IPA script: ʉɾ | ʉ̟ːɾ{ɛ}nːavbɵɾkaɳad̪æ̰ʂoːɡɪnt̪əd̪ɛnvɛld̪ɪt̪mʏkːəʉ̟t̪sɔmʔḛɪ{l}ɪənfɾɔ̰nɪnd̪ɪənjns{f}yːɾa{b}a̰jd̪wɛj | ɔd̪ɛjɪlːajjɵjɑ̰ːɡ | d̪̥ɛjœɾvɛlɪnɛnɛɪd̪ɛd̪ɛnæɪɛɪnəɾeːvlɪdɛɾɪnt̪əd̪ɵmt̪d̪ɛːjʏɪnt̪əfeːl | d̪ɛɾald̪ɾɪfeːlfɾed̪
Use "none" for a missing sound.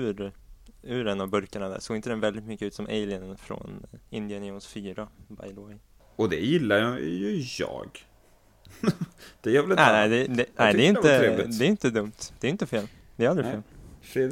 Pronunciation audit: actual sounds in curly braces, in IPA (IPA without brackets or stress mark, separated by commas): ɛ, l, f, b